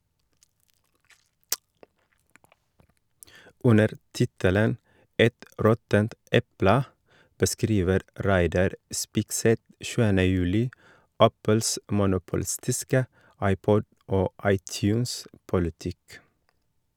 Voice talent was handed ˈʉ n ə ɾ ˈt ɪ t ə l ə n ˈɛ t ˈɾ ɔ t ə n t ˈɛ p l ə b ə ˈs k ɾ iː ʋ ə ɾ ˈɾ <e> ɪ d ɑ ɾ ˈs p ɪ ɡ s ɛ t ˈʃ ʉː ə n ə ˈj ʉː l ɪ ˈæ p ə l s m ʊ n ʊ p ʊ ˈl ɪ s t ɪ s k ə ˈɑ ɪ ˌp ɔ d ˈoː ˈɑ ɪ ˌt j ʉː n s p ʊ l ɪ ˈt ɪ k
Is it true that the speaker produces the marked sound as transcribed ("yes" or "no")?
no